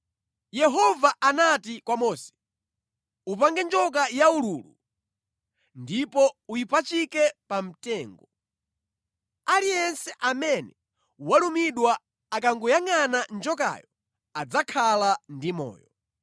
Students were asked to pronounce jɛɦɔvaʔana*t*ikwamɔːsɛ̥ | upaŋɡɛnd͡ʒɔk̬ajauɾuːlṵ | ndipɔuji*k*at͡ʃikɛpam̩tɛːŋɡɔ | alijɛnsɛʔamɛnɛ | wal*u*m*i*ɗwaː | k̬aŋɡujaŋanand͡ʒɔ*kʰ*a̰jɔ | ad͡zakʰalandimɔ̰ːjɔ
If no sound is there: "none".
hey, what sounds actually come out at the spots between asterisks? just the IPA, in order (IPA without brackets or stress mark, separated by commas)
t, p, u, i, k